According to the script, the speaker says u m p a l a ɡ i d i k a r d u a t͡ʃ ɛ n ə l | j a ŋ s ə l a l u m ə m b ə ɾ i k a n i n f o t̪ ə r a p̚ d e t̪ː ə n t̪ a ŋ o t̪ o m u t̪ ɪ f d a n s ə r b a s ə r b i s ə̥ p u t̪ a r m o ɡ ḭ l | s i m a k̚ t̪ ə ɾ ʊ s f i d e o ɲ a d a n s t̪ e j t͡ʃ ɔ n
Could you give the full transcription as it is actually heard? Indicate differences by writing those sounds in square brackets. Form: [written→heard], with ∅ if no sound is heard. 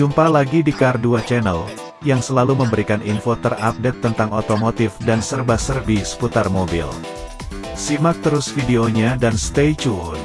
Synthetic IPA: u m p a l a ɡ i d i k a r d u a t͡ʃ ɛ n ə l | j a ŋ s ə l a l u m ə m b ə ɾ i k a n i n f o t̪ ə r a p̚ d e t̪ː ə n t̪ a ŋ o t̪ o m [u→o] t̪ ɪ f d a n s ə r b a s ə r b i s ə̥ p u t̪ a r m o [ɡ→b] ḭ l | s i m a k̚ t̪ ə ɾ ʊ s f i d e o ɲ a d a n s t̪ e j t͡ʃ [ɔ→u] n

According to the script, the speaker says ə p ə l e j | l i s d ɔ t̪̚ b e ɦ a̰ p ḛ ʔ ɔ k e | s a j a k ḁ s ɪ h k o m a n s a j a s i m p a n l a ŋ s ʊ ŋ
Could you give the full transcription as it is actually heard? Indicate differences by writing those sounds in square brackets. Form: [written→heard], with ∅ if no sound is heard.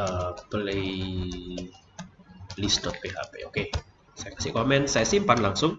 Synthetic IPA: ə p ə l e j | l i s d ɔ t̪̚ [b→p] e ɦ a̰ p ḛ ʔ [ɔ→o] k e | s a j a k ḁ s ɪ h k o m [a→ɛ] n s a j a s i m p a n l a ŋ s ʊ ŋ

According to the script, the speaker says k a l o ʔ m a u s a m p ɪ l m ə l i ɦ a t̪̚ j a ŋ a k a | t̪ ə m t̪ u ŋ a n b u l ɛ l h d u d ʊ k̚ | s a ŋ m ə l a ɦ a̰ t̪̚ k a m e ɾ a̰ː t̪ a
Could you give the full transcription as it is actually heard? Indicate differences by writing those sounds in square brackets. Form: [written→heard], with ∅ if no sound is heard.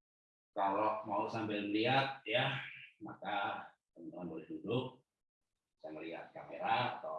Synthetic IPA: k a l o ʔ m a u s a m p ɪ l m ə l i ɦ a t̪̚ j a [ŋ→m] a k a | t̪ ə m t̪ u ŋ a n b [u→o] l ɛ [l→∅] h d u d ʊ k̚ | s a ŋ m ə l [a→i] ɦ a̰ t̪̚ k a m e ɾ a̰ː t̪ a

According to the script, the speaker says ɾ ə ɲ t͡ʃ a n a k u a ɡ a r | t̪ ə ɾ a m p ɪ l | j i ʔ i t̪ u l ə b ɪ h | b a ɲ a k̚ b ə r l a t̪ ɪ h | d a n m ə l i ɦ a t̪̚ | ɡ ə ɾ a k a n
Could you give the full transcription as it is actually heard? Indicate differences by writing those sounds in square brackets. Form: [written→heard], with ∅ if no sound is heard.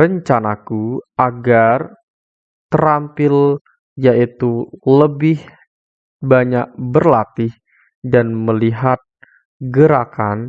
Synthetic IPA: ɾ ə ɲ t͡ʃ a n a k u a ɡ a r | t̪ ə ɾ a m p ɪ l | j [i→a] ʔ i t̪ u l ə b ɪ h | b a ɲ a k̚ b ə r l a t̪ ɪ h | d a n m ə l i ɦ a t̪̚ | ɡ ə ɾ a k a n

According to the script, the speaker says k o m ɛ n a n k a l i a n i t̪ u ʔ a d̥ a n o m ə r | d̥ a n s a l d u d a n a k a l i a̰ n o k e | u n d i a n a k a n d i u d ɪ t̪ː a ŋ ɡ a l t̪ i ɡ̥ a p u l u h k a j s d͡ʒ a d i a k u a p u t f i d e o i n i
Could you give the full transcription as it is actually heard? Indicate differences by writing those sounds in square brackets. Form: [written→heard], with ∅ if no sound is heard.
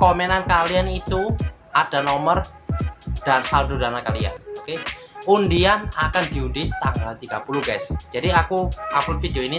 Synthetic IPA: k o m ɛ n a n k a l i a n i t̪ u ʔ a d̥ a n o m ə r | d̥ a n s a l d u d a n a k a l i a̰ n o k e | u n d i a n a k a n d i u d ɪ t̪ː a ŋ ɡ a l t̪ i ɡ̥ a p u l u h [k→ɡ] a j s d͡ʒ a d i a k u a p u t f i d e o i n i

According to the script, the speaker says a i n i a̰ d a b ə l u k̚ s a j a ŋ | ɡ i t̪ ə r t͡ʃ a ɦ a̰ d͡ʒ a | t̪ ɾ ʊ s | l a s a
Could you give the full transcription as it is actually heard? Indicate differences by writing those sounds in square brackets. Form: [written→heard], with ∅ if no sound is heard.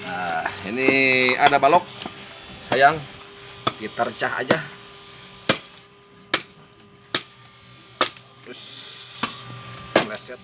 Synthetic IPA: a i n i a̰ d a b [ə→a] l [u→ɔ] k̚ s a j a ŋ | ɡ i t̪ ə r t͡ʃ a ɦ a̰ d͡ʒ a | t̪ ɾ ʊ s | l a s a

